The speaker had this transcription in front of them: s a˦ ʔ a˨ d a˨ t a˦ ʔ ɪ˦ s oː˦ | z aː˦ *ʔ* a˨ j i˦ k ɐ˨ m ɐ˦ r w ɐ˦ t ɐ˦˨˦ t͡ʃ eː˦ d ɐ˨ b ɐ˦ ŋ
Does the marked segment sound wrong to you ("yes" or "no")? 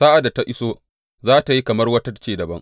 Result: yes